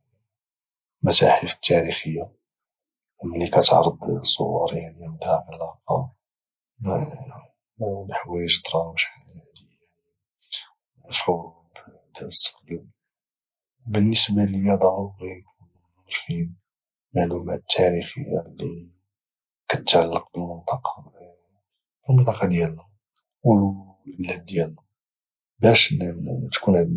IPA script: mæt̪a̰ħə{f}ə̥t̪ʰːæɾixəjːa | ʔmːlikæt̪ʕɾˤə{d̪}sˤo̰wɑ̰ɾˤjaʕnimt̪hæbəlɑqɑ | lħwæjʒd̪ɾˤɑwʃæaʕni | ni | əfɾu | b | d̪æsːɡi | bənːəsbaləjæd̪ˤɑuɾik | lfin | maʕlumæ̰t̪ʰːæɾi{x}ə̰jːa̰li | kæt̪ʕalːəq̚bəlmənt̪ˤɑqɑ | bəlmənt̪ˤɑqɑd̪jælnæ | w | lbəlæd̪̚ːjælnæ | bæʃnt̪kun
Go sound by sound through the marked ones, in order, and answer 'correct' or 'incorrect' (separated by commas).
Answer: correct, correct, correct